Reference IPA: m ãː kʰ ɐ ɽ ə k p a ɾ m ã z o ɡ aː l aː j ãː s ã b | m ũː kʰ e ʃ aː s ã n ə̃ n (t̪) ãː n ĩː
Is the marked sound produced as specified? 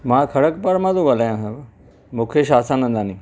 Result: no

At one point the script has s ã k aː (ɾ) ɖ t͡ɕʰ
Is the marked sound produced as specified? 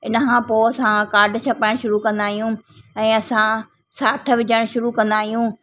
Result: yes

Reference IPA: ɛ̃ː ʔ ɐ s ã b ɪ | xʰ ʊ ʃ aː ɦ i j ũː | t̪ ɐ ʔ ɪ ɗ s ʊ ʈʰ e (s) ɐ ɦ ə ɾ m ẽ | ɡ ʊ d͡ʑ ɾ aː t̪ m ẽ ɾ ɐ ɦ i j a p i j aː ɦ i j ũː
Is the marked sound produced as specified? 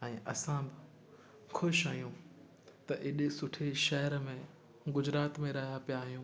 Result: no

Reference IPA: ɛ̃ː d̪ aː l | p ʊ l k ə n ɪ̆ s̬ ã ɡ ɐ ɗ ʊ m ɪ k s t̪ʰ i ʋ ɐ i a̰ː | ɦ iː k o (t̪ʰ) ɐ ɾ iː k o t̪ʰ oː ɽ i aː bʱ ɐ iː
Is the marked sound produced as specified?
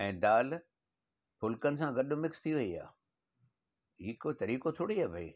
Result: no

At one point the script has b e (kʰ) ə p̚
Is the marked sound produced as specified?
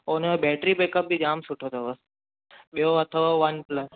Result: no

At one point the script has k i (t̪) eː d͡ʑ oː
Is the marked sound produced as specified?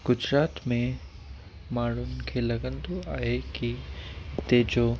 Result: yes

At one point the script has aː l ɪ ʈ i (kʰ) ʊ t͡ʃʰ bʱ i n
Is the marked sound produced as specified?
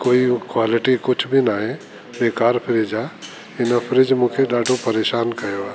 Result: no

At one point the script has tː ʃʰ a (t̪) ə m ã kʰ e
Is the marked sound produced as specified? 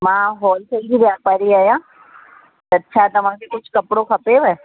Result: yes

